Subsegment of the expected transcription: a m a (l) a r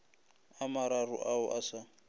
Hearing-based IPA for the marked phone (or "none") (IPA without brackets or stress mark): ɾ